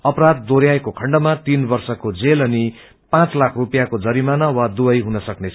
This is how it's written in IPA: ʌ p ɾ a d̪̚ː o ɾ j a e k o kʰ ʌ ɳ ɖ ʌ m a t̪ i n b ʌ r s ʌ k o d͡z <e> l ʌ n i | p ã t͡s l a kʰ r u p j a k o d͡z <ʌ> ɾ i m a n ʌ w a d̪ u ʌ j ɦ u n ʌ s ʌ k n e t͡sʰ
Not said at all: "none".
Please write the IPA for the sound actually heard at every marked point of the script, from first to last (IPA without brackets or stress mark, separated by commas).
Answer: e, ʌ